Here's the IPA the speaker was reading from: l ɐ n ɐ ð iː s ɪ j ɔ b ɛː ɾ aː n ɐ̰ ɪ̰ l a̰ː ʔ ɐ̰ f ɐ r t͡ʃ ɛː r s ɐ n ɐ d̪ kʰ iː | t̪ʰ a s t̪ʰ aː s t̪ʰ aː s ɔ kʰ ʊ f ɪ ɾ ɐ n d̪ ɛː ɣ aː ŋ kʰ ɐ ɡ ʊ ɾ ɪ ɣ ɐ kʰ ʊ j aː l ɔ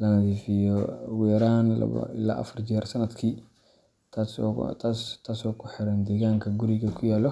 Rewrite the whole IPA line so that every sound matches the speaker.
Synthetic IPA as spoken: l ɐ n ɐ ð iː f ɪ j ɔ w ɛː ɾ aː n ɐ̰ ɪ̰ l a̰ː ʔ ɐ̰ f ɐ r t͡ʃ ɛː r s ɐ n ɐ d̪ kʰ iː | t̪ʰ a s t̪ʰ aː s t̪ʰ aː s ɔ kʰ ʊ ħ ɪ ɾ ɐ n d̪ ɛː ɣ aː ŋ kʰ ɐ ɡ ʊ ɾ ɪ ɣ ɐ kʰ ʊ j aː l ɔ

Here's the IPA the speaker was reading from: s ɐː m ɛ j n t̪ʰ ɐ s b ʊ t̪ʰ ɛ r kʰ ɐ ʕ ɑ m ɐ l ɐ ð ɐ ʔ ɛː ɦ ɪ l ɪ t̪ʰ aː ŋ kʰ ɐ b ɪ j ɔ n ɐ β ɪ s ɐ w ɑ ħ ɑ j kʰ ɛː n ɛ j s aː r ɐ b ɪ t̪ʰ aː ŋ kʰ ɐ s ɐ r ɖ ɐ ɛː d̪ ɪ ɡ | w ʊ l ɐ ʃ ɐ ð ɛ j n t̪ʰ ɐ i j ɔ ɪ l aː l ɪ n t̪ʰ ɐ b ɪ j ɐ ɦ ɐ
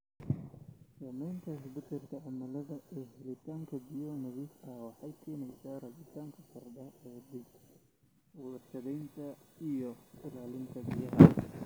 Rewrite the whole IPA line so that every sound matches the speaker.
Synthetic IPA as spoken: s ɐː m ɛ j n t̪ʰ ɐ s b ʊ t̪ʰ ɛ r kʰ ɐ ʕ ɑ m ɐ l ɐ ð ɐ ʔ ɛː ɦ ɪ l ɪ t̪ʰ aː ŋ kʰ ɐ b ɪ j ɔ n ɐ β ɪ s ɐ w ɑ ħ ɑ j kʰ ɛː n ɛ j s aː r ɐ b ɪ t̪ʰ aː ŋ kʰ ɐ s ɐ r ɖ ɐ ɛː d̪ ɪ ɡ | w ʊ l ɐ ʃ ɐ ð ɛ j n t̪ʰ ɐ i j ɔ ɪ l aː l ɪ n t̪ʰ ɐ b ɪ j ɐ ɦ ɐ

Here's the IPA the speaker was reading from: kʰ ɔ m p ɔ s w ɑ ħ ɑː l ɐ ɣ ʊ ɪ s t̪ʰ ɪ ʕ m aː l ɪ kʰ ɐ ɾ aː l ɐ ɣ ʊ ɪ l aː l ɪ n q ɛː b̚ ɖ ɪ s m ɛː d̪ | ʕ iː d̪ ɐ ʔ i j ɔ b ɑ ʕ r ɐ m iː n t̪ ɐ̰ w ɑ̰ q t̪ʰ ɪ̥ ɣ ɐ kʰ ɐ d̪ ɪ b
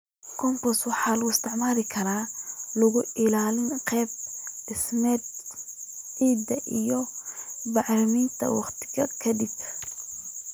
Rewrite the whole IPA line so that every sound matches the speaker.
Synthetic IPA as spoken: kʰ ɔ m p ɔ s w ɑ ħ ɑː l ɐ ɣ ʊ ɪ s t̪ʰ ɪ ʕ m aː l ɪ kʰ ɐ ɾ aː l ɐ ɣ ʊ ɪ l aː l ɪ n q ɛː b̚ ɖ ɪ s m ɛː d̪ | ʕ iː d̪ ɐ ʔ i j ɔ b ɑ ʕ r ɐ m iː n t̪ʰ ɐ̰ w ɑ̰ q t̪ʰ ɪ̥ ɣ ɐ kʰ ɐ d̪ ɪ b

